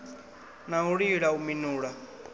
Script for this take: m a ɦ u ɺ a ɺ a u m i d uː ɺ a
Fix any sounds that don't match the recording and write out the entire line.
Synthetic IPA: n a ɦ u ɺ i ɺ a u m i n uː ɺ a